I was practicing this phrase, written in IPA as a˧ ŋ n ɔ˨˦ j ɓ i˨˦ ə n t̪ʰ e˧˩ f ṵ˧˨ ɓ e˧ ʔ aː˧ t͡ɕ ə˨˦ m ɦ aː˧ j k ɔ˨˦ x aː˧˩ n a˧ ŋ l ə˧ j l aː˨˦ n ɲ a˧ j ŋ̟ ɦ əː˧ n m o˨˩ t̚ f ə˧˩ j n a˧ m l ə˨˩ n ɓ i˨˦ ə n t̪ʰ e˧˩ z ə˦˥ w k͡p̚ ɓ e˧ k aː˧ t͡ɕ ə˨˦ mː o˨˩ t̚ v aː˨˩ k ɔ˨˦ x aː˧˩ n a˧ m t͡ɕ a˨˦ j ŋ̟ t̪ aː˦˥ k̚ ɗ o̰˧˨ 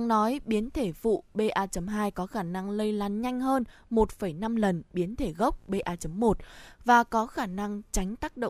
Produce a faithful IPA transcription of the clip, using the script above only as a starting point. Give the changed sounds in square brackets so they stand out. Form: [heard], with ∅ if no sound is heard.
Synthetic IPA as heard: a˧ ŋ n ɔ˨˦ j ɓ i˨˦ ə n t̪ʰ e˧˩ f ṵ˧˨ ɓ e˧ ʔ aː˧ t͡ɕ ə˨˦ m ɦ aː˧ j k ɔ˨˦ x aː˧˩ n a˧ ŋ l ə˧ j l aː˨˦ n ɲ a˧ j ŋ̟ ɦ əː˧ n m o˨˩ t̚ f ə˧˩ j n a˧ m l ə˨˩ n ɓ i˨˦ ə n t̪ʰ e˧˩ [ɣ] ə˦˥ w k͡p̚ ɓ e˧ [ʔ] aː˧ t͡ɕ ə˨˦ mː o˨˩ t̚ v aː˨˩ k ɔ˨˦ x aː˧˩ n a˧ [ŋ] t͡ɕ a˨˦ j ŋ̟ t̪ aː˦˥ k̚ ɗ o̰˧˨